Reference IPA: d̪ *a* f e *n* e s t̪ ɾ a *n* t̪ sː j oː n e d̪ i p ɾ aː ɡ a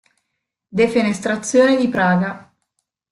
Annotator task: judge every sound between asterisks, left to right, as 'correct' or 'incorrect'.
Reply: incorrect: e, correct, incorrect: none

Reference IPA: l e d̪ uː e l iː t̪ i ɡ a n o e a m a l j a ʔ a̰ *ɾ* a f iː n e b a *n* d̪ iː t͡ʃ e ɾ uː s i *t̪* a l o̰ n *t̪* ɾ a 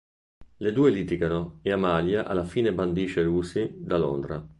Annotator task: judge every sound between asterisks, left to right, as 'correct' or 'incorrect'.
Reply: incorrect: l, correct, incorrect: d̪, incorrect: d̪

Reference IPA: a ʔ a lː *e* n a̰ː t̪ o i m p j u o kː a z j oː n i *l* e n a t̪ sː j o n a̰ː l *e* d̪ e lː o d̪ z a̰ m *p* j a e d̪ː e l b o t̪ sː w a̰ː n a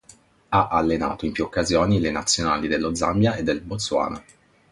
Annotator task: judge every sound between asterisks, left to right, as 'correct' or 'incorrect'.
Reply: correct, correct, incorrect: i, incorrect: b

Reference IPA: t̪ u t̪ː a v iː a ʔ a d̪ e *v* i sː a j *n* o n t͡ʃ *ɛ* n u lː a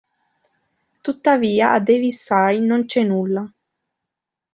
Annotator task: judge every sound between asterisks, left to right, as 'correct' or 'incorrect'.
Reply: correct, correct, correct

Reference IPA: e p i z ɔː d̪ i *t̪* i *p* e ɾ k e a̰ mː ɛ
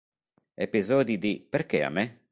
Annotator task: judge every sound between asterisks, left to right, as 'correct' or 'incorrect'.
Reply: incorrect: d̪, correct

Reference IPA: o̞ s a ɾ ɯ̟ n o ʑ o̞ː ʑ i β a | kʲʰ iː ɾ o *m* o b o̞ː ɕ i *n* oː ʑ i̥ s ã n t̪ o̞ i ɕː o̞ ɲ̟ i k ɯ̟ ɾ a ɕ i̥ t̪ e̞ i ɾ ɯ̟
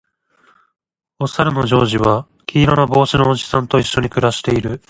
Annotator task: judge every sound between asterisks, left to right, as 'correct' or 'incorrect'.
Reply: incorrect: n, correct

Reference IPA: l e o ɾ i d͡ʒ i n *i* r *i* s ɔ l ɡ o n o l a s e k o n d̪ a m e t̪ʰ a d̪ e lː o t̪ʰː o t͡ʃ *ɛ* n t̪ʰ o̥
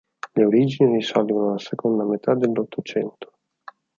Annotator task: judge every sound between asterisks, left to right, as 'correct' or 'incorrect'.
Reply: correct, correct, correct

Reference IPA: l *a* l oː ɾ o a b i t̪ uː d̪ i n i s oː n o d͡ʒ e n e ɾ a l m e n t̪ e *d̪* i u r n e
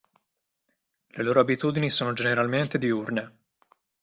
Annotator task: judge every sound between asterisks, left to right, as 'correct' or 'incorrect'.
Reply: incorrect: e, correct

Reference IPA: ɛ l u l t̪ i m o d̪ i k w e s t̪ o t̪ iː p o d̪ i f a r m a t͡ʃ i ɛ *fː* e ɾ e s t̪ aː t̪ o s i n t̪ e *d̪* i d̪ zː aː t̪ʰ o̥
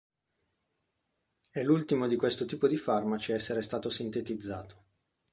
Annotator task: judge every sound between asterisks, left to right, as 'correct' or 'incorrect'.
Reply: incorrect: sː, incorrect: t̪

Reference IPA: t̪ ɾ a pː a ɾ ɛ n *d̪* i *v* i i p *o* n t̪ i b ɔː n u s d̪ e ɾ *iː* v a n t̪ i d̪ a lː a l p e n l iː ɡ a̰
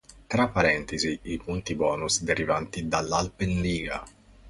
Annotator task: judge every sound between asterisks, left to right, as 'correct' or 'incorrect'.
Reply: incorrect: t̪, incorrect: z, incorrect: u, incorrect: i

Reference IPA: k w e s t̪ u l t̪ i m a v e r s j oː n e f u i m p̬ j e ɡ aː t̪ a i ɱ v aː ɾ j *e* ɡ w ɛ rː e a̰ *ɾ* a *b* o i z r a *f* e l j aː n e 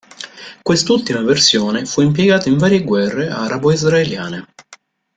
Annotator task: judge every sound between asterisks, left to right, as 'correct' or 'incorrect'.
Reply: correct, correct, correct, incorrect: none

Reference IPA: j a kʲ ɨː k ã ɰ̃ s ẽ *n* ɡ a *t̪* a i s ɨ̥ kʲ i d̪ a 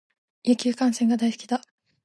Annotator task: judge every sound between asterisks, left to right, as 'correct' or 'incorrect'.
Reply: incorrect: ŋ, incorrect: d̪

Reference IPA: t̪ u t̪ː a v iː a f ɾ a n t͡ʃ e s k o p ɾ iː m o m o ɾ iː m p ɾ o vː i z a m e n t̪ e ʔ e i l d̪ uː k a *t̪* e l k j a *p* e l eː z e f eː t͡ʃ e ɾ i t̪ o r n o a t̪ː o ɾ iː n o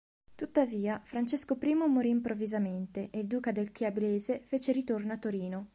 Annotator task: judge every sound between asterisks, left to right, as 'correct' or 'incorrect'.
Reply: incorrect: d̪, incorrect: b

